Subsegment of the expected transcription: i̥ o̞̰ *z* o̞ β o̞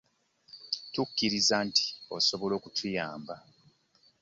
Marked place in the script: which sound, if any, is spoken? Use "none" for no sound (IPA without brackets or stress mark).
s